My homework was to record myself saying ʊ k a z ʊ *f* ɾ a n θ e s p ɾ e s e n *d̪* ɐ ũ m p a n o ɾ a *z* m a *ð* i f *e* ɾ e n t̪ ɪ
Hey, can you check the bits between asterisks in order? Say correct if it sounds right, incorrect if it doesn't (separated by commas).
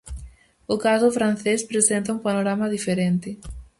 correct, incorrect, incorrect, correct, correct